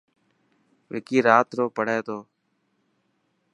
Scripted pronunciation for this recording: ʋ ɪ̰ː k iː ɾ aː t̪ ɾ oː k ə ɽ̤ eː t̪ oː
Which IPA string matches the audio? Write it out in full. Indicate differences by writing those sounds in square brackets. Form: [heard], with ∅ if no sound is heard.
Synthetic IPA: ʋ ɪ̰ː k iː ɾ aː t̪ ɾ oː [p] ə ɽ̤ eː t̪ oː